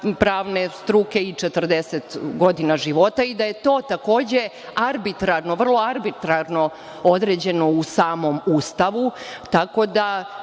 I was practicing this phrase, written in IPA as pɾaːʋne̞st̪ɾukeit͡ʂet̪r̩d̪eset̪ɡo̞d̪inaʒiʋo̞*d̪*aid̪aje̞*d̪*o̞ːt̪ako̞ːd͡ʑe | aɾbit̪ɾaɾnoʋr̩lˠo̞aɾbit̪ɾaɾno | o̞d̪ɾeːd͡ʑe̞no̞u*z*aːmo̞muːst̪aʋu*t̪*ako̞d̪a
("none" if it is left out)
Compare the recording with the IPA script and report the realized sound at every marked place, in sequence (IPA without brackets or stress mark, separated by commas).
t̪, t̪, s, t̪